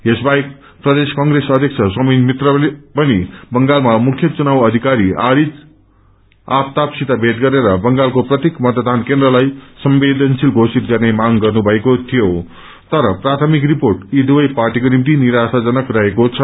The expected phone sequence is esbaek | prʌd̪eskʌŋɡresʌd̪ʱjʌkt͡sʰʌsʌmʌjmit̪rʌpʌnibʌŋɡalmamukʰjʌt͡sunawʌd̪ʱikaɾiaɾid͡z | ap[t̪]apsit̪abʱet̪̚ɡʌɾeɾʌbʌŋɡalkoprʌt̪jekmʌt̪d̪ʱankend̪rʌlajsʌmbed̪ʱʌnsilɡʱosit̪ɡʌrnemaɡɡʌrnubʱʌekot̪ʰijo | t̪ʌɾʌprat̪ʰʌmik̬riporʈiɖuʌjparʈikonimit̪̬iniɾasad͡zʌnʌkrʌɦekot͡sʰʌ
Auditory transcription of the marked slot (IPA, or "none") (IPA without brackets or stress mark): t̪